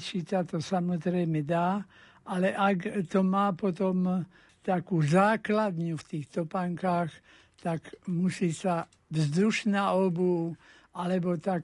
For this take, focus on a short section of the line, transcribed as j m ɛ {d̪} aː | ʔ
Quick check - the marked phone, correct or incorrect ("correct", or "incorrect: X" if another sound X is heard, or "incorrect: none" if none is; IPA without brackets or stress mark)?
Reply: correct